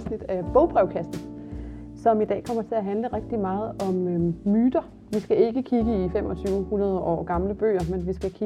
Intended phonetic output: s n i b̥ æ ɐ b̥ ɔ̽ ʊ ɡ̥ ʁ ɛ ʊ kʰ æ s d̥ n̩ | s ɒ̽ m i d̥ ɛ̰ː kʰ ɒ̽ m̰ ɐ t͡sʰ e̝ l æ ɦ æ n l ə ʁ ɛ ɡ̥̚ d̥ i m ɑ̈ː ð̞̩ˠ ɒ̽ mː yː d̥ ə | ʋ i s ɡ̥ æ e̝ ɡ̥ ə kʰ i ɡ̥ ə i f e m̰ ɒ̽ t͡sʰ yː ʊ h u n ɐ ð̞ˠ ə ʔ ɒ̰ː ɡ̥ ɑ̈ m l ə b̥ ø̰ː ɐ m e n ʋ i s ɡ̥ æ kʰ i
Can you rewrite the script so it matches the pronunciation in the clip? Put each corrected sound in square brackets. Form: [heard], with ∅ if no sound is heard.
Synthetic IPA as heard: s n i [d̥] æ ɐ b̥ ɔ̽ ʊ [b̥] ʁ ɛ ʊ kʰ æ s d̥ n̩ | s ɒ̽ m i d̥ ɛ̰ː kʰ ɒ̽ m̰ ɐ t͡sʰ e̝ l æ ɦ æ n l ə ʁ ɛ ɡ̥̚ d̥ i m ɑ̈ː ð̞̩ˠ ɒ̽ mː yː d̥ [ɐ] | ʋ i s ɡ̥ æ e̝ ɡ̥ ə kʰ i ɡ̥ ə i f e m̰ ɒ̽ t͡sʰ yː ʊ h u n ɐ ð̞ˠ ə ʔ ɒ̰ː ɡ̥ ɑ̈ m l ə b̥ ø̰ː ɐ m e n ʋ i s ɡ̥ æ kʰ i